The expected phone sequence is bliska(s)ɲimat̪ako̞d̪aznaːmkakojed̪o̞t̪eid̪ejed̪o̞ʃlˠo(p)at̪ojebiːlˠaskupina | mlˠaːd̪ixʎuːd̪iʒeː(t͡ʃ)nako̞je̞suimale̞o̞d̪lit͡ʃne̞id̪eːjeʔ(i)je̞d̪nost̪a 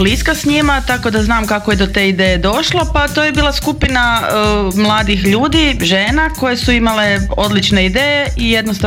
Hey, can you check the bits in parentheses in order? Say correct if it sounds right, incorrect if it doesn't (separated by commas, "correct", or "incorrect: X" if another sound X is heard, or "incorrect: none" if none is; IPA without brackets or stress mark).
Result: correct, correct, incorrect: none, correct